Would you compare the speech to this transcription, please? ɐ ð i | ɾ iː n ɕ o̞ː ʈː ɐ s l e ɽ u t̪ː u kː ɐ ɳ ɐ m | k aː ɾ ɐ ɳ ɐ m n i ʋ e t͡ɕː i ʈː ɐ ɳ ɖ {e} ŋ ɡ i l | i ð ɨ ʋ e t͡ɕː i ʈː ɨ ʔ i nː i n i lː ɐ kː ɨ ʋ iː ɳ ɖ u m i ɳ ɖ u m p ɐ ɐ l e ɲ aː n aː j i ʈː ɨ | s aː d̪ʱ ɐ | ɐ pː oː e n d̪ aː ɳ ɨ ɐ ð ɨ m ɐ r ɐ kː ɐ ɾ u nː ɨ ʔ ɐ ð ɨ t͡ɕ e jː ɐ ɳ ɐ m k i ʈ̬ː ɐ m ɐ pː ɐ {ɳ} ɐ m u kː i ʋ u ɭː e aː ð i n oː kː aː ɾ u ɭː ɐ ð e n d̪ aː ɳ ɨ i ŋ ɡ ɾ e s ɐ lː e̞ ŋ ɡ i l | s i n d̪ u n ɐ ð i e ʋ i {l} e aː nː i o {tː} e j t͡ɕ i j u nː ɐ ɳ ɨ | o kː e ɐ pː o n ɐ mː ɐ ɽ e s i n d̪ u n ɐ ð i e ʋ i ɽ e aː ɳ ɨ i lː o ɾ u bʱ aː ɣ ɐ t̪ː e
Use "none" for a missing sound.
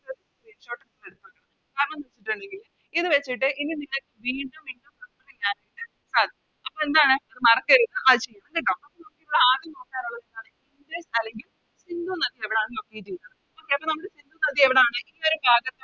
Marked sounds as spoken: e, n, ɽ, kː

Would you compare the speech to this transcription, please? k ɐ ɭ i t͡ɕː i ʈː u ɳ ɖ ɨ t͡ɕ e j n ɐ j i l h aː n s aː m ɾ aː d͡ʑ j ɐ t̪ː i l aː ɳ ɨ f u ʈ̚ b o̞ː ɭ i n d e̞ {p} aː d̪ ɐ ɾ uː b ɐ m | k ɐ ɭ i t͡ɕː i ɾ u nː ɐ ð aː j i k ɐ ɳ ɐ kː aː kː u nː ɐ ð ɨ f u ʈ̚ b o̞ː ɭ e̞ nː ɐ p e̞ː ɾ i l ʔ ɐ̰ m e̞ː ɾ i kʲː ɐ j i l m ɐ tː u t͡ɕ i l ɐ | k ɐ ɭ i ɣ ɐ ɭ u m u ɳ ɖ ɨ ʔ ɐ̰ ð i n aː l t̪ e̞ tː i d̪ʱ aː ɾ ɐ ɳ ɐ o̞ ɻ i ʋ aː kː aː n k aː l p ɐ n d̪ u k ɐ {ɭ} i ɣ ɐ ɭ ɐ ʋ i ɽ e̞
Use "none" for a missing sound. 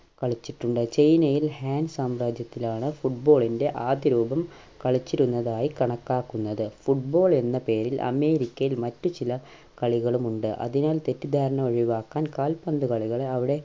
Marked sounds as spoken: ʔ, ɭ

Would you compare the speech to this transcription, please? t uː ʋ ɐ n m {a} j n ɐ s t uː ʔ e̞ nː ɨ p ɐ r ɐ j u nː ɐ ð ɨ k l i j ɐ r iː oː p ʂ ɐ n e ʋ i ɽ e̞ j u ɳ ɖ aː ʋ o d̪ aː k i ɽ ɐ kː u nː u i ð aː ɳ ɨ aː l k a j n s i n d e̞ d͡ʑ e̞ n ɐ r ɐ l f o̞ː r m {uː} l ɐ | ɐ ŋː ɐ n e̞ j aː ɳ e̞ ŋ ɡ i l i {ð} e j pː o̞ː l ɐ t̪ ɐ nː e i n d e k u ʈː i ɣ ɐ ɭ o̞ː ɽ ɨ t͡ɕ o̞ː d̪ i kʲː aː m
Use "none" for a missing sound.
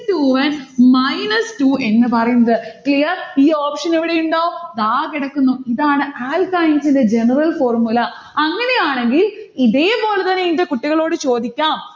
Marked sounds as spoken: ɐ, u, ð

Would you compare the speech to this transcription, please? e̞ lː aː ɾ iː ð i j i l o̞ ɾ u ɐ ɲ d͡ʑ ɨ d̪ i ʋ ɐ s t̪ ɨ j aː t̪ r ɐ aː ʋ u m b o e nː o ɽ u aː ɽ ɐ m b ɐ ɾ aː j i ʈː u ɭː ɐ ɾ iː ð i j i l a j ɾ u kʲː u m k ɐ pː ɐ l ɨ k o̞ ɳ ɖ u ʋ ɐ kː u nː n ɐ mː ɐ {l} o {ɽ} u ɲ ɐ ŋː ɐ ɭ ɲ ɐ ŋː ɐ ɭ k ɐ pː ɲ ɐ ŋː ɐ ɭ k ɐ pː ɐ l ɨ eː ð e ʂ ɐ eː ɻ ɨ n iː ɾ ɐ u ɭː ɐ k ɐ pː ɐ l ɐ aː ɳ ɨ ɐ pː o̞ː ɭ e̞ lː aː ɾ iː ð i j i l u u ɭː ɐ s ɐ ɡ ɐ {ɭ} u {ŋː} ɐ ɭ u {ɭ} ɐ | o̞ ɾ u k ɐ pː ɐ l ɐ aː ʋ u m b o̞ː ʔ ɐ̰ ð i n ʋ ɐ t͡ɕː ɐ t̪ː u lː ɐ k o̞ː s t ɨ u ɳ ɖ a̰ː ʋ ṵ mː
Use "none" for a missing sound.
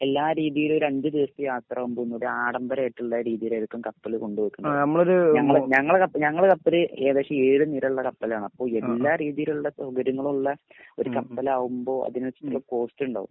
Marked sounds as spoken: ɭ, ɾ, ɾ, ŋː, ɭː

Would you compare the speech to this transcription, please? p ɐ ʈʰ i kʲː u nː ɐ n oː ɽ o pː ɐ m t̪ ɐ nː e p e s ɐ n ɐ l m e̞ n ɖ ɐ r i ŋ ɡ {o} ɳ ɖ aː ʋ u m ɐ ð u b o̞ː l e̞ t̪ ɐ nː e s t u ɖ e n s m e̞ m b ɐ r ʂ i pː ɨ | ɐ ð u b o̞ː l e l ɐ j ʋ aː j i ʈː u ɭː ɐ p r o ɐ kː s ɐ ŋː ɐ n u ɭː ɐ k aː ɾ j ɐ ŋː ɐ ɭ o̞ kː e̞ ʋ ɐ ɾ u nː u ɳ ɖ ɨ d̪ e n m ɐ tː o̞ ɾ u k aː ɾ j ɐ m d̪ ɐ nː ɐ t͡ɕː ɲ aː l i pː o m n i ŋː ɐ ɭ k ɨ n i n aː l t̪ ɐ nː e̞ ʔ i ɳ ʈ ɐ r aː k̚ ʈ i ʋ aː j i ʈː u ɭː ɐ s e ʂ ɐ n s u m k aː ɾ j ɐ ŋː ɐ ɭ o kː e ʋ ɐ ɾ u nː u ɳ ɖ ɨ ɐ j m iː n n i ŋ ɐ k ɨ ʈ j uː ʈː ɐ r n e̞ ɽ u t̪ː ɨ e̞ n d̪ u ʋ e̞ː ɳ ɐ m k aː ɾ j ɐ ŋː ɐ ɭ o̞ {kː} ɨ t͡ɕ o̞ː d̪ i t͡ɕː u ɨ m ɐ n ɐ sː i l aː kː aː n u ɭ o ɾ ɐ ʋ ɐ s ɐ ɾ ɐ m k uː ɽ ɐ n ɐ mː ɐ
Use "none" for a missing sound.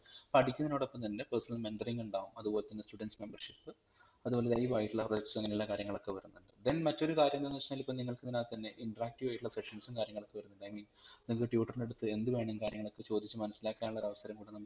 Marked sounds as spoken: u, kː

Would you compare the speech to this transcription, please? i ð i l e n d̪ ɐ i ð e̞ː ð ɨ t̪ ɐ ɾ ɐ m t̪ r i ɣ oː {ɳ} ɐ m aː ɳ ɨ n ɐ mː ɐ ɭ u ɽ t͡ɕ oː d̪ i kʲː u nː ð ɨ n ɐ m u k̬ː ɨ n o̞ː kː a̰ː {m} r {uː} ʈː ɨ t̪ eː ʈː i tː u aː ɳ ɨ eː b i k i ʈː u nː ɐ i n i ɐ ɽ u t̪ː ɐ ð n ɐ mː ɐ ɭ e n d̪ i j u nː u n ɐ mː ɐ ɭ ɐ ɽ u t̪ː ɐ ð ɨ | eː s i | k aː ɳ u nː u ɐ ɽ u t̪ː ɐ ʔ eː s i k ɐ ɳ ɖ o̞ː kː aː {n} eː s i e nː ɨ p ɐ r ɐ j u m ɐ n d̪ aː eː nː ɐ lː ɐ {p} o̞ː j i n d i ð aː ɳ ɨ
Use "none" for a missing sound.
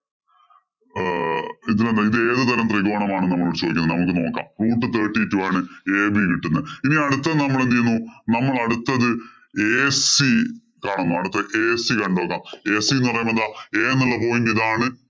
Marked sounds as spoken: ɳ, m, uː, m, p

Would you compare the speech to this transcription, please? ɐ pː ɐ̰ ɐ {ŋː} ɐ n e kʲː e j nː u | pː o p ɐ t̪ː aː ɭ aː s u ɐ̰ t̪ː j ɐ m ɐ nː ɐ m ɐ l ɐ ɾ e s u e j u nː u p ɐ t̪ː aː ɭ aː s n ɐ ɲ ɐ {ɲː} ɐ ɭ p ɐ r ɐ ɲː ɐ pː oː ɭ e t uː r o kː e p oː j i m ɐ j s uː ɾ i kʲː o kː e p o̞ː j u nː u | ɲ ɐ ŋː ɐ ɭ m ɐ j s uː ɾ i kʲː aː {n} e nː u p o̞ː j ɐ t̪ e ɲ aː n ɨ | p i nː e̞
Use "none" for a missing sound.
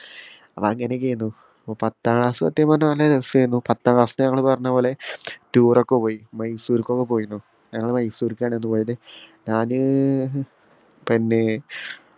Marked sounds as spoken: ŋː, ŋː, ɳ

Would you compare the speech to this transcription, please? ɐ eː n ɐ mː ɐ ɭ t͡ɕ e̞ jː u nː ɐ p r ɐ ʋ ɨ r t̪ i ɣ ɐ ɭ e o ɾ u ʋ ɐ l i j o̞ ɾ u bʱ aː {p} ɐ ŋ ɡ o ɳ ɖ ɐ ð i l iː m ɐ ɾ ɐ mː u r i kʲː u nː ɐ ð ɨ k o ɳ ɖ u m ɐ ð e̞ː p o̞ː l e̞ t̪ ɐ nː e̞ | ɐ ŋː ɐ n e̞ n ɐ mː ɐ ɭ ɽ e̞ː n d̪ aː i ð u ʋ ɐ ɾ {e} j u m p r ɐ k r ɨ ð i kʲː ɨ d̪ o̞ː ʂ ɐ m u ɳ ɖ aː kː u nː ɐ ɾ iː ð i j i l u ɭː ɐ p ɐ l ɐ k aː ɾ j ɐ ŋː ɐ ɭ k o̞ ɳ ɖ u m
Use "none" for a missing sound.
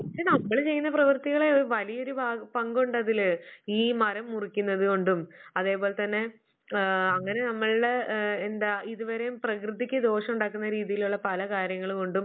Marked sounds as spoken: p, e

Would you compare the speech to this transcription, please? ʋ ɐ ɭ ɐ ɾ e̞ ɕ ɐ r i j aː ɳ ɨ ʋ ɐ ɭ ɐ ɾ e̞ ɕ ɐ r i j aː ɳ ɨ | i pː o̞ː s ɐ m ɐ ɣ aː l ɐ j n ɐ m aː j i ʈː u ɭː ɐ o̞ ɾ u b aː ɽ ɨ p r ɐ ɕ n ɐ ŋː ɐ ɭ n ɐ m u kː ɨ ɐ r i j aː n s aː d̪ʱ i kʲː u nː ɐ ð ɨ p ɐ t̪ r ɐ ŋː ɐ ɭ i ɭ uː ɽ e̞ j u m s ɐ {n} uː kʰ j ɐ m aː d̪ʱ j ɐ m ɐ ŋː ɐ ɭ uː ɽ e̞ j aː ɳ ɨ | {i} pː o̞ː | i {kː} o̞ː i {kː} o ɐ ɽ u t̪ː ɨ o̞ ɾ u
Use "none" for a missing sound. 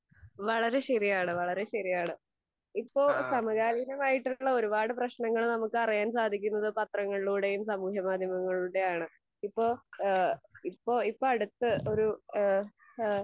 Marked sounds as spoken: m, i, pː, pː

